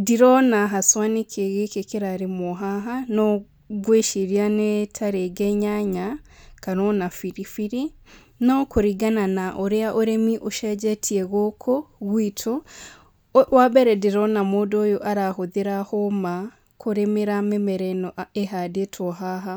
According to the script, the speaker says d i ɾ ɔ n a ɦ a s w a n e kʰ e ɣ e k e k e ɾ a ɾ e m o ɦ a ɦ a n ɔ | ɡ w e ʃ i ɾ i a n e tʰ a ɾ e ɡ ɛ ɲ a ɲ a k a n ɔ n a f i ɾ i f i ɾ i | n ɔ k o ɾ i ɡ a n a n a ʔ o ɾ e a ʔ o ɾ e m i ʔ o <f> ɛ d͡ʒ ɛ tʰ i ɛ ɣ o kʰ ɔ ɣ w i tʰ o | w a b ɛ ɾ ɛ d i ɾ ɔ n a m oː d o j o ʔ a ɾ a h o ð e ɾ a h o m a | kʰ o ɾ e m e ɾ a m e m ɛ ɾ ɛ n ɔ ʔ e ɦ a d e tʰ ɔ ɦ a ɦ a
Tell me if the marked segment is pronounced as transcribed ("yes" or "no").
no